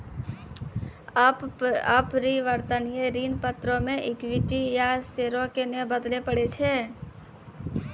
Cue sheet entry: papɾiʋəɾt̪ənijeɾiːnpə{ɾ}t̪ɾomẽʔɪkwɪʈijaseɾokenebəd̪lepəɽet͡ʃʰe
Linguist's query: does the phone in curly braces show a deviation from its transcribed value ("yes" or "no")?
yes